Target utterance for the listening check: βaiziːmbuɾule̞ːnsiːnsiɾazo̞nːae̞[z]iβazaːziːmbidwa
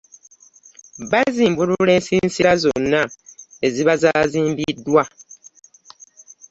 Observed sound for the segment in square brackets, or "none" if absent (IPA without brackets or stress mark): z